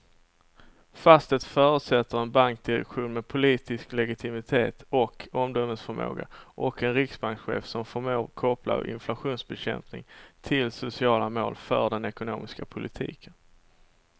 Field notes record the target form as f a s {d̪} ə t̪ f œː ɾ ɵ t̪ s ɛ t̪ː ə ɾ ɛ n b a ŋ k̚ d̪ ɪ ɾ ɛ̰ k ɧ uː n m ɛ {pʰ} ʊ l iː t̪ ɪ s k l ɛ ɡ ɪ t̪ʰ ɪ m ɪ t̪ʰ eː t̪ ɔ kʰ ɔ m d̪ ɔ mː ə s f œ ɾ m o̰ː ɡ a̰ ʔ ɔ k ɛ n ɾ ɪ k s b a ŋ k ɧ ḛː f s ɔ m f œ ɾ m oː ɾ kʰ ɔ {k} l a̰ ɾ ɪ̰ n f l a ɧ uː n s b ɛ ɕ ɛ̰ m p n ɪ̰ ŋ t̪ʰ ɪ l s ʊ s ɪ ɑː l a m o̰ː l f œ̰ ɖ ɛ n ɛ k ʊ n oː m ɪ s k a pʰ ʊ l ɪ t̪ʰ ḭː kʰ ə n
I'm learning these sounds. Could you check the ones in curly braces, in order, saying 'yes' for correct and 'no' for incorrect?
no, yes, no

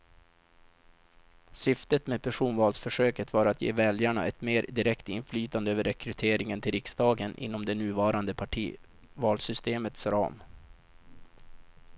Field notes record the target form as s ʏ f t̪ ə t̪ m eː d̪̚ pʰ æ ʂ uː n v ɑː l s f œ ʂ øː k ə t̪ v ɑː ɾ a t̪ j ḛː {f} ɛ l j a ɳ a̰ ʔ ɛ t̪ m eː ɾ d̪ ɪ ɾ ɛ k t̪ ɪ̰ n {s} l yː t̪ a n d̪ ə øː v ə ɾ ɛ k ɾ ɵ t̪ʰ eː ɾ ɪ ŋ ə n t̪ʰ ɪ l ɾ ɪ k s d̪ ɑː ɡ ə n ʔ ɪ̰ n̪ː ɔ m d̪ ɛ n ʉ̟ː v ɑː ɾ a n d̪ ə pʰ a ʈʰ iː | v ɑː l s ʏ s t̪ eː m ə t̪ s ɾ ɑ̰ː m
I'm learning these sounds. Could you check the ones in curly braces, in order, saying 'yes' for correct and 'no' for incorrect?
no, no

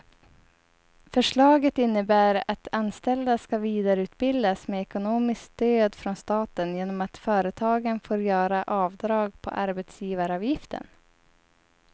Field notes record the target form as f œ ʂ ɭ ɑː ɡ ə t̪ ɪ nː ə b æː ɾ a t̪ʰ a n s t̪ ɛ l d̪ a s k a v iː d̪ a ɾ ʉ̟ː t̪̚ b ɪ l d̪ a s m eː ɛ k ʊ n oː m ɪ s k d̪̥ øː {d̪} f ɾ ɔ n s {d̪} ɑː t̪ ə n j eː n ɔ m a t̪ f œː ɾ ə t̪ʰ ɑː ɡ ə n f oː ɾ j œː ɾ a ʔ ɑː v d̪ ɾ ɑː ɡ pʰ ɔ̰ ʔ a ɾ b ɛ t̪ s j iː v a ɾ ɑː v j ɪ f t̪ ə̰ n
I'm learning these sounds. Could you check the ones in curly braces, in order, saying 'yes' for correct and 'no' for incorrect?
yes, no

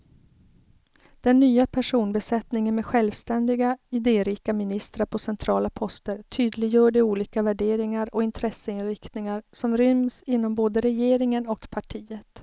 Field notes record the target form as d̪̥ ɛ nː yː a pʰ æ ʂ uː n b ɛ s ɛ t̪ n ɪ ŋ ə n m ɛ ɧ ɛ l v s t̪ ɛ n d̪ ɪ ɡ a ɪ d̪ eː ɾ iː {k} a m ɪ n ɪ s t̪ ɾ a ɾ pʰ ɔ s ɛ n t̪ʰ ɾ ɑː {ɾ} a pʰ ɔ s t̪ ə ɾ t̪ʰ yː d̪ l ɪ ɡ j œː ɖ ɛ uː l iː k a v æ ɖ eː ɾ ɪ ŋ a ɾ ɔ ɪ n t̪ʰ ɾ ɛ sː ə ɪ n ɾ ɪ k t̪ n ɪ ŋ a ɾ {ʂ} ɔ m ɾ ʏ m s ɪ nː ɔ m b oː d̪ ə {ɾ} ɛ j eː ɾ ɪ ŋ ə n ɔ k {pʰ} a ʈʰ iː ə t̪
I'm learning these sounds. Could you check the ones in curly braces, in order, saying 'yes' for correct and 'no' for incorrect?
yes, no, no, yes, yes

